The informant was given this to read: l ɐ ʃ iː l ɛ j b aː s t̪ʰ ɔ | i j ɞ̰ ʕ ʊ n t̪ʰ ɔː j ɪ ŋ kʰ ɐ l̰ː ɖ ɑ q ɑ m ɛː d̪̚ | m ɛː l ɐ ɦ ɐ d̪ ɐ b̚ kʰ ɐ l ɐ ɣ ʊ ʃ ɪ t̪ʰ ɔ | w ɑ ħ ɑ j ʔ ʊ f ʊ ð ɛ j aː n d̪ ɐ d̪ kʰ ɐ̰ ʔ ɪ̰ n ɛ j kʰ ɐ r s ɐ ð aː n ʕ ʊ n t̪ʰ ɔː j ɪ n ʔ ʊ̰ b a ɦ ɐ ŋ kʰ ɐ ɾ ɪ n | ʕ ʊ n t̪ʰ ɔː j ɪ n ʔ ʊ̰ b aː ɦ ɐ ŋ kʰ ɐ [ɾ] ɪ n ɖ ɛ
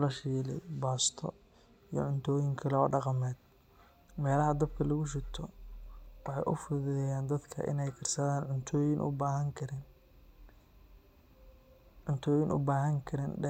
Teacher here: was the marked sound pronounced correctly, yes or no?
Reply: yes